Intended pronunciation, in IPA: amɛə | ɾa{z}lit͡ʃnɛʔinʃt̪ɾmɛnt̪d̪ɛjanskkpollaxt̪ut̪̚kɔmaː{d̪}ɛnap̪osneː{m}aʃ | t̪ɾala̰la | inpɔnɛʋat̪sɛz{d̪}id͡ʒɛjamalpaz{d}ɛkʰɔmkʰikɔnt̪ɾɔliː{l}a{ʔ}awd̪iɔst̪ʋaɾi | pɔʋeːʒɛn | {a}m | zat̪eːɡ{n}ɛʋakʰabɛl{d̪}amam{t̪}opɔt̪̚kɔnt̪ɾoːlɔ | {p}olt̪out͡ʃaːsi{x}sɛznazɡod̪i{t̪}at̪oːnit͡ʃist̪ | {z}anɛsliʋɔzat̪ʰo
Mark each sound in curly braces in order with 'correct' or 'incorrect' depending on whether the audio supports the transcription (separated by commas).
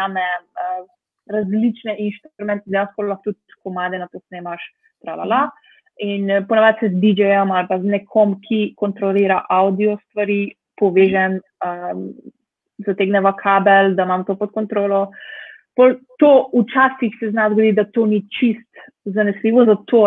correct, correct, correct, correct, incorrect, incorrect, correct, incorrect, correct, correct, correct, correct, correct, incorrect, correct